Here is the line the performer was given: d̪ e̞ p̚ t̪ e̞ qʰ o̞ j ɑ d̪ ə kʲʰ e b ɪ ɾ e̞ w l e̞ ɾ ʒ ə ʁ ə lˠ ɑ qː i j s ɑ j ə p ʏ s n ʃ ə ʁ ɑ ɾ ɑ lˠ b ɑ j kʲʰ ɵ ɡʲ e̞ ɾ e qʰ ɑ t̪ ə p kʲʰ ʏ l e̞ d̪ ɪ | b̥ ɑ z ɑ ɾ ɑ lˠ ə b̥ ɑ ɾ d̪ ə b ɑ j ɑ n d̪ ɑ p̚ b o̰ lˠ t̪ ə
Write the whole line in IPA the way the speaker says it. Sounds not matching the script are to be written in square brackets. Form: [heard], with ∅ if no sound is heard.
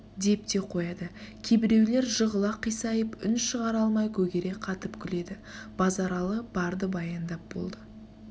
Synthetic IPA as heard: d̪ e̞ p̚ t̪ e̞ qʰ o̞ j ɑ d̪ ə kʲʰ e b ɪ ɾ e̞ w l e̞ ɾ ʒ ə ʁ ə lˠ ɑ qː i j s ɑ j ə p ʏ [∅] n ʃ ə ʁ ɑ ɾ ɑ lˠ [m] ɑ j kʲʰ ɵ ɡʲ e̞ ɾ e qʰ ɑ t̪ ə p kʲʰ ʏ l e̞ d̪ ɪ | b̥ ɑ z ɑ ɾ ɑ lˠ ə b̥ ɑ ɾ d̪ ə b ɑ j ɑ n d̪ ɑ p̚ b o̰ lˠ [d̪] ə